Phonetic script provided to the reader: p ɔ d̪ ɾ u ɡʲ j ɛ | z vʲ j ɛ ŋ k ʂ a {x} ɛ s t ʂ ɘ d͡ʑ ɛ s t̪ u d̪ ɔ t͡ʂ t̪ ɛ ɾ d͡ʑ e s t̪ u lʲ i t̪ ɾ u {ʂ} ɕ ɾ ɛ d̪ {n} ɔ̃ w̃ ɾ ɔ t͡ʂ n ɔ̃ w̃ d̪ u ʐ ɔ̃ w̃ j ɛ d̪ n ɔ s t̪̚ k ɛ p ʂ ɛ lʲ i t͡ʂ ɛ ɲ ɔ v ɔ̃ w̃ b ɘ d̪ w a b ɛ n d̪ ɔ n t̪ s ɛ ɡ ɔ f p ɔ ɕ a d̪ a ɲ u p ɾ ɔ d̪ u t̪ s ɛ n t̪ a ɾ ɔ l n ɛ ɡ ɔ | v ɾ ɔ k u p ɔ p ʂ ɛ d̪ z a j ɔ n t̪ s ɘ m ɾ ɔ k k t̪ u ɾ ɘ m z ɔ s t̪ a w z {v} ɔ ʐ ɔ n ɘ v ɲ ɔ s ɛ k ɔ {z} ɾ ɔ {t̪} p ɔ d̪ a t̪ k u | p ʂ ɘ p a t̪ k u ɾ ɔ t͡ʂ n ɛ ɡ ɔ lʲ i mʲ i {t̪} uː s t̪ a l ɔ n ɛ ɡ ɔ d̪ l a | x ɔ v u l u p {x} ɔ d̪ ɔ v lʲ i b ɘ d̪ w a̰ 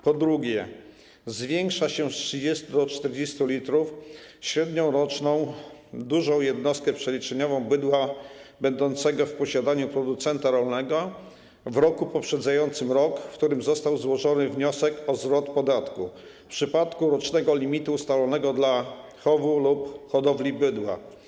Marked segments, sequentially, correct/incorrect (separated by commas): incorrect, incorrect, incorrect, incorrect, correct, correct, correct, correct